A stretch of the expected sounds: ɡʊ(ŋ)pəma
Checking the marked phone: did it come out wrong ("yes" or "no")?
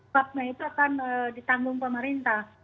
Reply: no